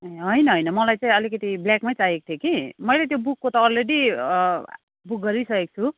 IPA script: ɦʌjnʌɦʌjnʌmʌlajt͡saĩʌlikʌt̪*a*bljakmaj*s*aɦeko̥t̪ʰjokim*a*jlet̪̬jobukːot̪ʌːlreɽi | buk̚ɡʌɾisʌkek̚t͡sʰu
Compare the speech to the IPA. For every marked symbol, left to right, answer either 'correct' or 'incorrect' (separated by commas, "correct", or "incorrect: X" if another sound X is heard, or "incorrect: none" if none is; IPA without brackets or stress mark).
incorrect: i, incorrect: t͡s, incorrect: ʌ